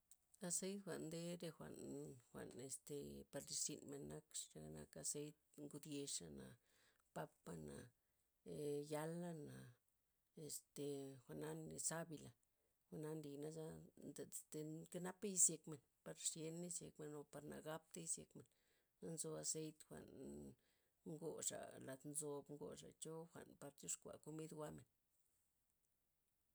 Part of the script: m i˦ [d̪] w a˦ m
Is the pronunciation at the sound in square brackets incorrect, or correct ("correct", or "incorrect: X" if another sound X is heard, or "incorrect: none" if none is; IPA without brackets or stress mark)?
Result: correct